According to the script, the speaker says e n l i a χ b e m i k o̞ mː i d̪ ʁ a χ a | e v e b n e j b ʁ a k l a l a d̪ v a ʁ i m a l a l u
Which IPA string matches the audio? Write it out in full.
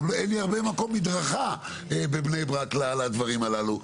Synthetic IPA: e n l i a ʁ b e m a k o̞ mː i d̪ ʁ a χ a | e b e b n e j b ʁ a k l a l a d̪ v a ʁ i m a l a l u

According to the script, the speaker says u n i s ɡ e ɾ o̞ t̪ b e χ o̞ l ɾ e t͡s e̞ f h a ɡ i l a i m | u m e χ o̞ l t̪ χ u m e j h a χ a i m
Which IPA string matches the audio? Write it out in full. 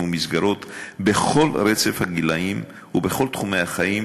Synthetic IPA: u m i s ɡ a ɾ o̞ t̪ b e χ o̞ l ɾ e t͡s e̞ f h a ɡ i l a i m | u b e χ o̞ l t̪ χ u m e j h a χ a i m

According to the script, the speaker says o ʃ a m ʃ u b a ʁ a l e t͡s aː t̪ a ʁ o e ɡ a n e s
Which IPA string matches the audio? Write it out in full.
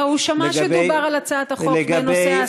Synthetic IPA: u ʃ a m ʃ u b a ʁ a l a t͡s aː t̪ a χ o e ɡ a n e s

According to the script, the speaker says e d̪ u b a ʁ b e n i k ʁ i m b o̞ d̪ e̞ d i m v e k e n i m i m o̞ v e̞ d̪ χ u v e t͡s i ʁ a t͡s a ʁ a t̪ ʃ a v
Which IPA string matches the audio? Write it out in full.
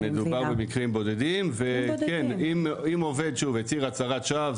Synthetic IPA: e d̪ u b a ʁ b e m i k ʁ i m b o̞ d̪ e̞ d i m v e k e n i m i m o̞ v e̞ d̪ ʃ u v e t͡s i ʁ a t͡s a ʁ a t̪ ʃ a v

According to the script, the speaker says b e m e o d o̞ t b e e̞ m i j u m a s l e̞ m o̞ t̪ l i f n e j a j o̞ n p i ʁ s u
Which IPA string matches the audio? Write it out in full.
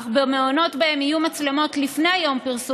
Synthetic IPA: b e m e o n o̞ t b a e̞ m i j u m a t͡s l e̞ m o̞ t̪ l i f n e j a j o̞ m p i ʁ s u

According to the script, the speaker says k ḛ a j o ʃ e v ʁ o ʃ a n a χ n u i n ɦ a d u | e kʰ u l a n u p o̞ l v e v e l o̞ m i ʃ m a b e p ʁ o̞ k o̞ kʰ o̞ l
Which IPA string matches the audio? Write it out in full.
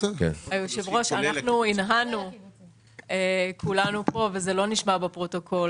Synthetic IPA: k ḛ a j o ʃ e v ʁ o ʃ a n a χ n u i n ɦ a n u | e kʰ u l a n u p o̞ v e z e l o̞ n i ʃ m a b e p ʁ o̞ t o̞ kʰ o̞ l

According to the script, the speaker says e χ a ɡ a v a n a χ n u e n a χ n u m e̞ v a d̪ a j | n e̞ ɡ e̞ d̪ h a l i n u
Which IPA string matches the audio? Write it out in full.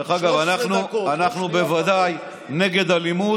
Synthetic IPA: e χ a ɡ a v a n a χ n u a n a χ n u b e̞ v a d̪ a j | n e̞ ɡ e̞ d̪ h a l i m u

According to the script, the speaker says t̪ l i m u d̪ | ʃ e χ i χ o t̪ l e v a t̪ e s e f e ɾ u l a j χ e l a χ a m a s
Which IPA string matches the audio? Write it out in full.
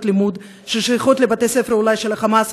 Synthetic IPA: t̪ l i m u d̪ | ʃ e ʃ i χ o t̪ l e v a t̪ e s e f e ɾ u l a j ʃ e l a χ a m a s

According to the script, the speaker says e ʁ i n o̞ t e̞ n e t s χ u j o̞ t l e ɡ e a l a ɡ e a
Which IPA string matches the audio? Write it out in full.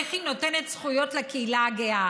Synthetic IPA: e χ i n o̞ t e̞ n e t s χ u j o̞ t l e k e i l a ɡ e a

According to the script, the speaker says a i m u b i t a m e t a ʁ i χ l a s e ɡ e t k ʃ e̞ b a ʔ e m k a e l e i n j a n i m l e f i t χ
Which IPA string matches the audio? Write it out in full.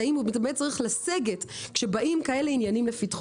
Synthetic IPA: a i m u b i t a m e t͡s a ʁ i χ l a s e ɡ e t k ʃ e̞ b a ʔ i m k a e l e i n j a n i m l e f i t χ

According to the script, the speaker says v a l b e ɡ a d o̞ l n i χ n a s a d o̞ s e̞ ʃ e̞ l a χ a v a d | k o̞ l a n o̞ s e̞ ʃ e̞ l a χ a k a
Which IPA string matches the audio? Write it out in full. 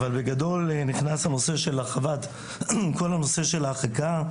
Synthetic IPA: v a l b e ɡ a d o̞ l n i χ n a s a n o̞ s e̞ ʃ e̞ l a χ a v a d | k o̞ l a n o̞ s e̞ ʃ e̞ l a χ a k a

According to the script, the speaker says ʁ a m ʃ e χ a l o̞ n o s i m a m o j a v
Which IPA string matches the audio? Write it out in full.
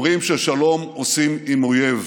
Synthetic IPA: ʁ i m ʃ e ʃ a l o̞ m o s i m i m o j e v

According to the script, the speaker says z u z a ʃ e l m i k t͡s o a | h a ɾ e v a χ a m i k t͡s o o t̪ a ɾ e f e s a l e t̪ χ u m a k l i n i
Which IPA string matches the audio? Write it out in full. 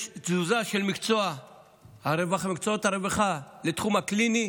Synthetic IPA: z u z a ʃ e l m i k t͡s o a | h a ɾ e v a χ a m i k t͡s o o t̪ a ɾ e v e χ a l e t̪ χ u m a k l i n i

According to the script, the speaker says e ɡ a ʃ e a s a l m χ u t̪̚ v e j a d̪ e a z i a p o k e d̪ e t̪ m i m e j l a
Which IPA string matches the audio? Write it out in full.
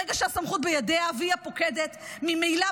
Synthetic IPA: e ɡ a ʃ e a s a m χ u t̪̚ b e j a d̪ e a v i a p o k e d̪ e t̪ m i m e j l a

